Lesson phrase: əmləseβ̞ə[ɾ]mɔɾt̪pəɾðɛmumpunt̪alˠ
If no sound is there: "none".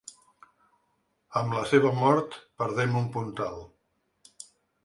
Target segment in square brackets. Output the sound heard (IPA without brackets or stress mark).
none